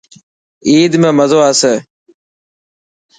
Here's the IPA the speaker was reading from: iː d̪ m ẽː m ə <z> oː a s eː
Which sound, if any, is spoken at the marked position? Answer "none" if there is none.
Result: z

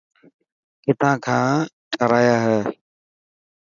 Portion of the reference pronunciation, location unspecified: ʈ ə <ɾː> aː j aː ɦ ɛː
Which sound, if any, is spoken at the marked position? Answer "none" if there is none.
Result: ɾ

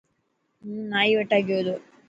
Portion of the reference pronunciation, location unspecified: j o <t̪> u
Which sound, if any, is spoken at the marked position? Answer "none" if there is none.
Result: d̪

